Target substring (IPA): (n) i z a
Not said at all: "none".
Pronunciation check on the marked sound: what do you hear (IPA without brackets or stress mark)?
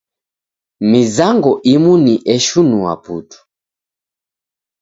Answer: m